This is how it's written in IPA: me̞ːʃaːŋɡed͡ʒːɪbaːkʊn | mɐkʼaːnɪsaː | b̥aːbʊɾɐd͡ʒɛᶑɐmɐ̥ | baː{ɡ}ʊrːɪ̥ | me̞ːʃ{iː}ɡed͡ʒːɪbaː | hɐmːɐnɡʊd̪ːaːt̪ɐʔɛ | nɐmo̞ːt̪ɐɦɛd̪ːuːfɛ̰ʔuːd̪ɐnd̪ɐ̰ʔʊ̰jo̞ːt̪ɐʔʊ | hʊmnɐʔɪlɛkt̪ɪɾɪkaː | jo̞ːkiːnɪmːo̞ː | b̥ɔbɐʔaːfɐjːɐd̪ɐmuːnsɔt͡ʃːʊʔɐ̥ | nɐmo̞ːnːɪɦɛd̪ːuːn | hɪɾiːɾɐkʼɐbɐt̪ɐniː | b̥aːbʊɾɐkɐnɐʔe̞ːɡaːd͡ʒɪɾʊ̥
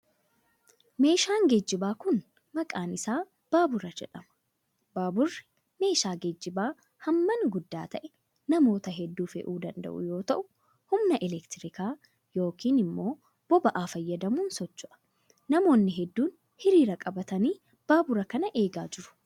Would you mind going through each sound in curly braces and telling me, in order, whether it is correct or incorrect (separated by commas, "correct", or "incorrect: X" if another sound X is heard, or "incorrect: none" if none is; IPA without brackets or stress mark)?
incorrect: b, incorrect: aː